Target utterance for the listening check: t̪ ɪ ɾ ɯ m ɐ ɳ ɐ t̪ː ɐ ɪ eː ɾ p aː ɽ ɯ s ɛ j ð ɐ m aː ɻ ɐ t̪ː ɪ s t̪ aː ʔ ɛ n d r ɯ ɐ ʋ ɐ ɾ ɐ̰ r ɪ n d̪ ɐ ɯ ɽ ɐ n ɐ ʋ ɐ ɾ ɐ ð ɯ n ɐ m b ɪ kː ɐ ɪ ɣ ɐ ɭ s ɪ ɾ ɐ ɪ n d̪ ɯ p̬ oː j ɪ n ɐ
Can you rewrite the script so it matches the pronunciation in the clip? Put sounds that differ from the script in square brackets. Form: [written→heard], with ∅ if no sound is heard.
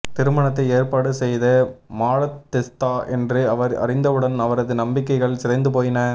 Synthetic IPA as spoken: t̪ ɪ ɾ ɯ m ɐ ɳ ɐ t̪ː ɐ ɪ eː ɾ p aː ɽ ɯ s ɛ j ð ɐ m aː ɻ ɐ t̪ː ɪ s t̪ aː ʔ ɛ n d r ɯ ɐ ʋ ɐ ɾ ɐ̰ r ɪ n d̪ ɐ ɯ ɽ ɐ n ɐ ʋ ɐ ɾ ɐ ð ɯ n ɐ m b ɪ kː ɐ ɪ ɣ ɐ ɭ s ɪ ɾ ɐ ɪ n d̪ ɯ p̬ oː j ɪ n ɐ

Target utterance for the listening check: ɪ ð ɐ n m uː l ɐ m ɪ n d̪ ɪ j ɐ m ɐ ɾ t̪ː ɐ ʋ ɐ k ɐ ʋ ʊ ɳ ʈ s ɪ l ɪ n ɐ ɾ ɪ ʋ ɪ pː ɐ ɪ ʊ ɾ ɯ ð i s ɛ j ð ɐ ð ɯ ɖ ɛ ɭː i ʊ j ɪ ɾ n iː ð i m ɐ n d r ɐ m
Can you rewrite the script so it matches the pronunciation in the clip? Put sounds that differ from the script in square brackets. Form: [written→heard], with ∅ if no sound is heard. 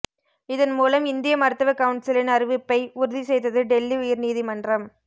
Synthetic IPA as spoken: ɪ ð ɐ n m uː l ɐ m ɪ n d̪ ɪ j ɐ m ɐ ɾ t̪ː ɐ ʋ ɐ k ɐ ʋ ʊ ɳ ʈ s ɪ l ɪ n ɐ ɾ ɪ ʋ ɪ pː ɐ ɪ ʊ ɾ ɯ ð i s ɛ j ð ɐ ð ɯ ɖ ɛ [ɭː→lː] i ʊ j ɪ ɾ n iː ð i m ɐ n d r ɐ m

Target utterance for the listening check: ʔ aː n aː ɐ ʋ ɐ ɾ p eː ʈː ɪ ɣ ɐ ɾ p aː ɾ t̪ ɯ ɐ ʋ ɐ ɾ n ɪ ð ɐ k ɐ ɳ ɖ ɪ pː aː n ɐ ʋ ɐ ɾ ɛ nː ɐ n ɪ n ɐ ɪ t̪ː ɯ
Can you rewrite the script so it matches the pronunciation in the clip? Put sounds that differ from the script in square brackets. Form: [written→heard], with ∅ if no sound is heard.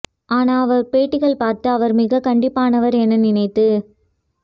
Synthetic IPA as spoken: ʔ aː n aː ɐ ʋ ɐ ɾ p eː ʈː ɪ ɣ ɐ [ɾ→ɭ] p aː ɾ t̪ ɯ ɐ ʋ ɐ ɾ [n→m] ɪ [ð→ɣ] ɐ k ɐ ɳ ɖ ɪ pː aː n ɐ ʋ ɐ ɾ ɛ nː ɐ n ɪ n ɐ ɪ t̪ː ɯ

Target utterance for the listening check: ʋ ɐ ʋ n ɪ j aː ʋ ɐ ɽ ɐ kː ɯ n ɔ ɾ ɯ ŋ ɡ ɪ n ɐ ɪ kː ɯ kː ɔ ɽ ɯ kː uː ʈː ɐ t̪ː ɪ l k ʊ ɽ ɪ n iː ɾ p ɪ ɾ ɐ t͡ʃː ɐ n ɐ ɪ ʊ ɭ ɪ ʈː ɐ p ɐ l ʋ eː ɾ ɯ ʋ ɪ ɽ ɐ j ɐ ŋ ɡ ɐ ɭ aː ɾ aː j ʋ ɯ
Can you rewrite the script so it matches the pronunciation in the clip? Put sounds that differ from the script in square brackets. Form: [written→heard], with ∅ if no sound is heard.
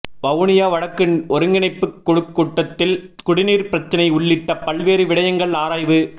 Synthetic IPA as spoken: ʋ ɐ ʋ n ɪ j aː ʋ ɐ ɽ ɐ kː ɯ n ɔ ɾ ɯ ŋ ɡ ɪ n ɐ ɪ [kː→pː] ɯ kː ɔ ɽ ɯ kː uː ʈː ɐ t̪ː ɪ l k ʊ ɽ ɪ n iː ɾ p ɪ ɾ ɐ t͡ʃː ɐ n ɐ ɪ ʊ [ɭ→ɭː] ɪ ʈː ɐ p ɐ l ʋ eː ɾ ɯ ʋ ɪ ɽ ɐ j ɐ ŋ ɡ ɐ ɭ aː ɾ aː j ʋ ɯ

